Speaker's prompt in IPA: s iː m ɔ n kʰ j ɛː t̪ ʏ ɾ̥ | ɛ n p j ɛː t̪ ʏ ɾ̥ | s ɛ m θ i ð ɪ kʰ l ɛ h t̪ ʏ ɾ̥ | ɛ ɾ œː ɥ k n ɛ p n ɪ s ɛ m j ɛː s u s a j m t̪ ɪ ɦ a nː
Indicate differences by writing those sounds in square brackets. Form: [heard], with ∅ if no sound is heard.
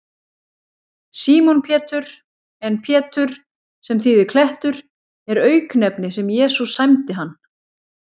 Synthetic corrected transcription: s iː m ɔ n [pʰ] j ɛː t̪ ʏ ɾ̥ | ɛ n [pʰ] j ɛː t̪ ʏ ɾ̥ | s ɛ m θ i ð ɪ kʰ l ɛ h t̪ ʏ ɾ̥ | ɛ ɾ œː ɥ k n ɛ p n ɪ s ɛ m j ɛː s u s a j m t̪ ɪ ɦ a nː